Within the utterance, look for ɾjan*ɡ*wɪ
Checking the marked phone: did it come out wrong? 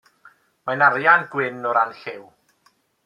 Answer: no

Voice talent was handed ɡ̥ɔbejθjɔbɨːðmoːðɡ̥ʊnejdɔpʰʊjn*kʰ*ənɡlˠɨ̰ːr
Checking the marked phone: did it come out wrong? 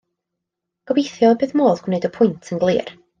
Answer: yes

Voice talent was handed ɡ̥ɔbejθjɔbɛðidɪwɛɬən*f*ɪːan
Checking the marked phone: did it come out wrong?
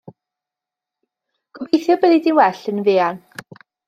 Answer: yes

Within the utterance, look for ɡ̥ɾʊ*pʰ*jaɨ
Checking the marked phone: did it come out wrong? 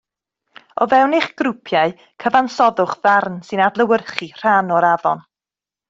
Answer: no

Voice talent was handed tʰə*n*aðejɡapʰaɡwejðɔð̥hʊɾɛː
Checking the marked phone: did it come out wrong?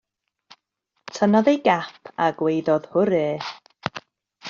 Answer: no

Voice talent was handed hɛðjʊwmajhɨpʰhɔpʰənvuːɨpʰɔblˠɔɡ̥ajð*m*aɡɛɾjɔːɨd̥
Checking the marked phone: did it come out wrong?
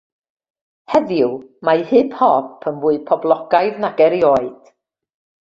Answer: yes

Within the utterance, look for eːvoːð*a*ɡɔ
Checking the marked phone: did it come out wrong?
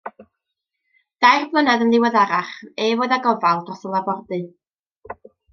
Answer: no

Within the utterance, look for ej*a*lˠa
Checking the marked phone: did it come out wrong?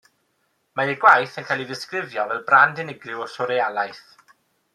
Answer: no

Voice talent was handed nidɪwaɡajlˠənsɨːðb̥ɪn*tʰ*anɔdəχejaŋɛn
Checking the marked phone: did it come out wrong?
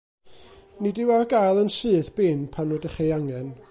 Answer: yes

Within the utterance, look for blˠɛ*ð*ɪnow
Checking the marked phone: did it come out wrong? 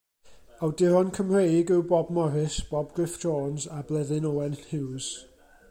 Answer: no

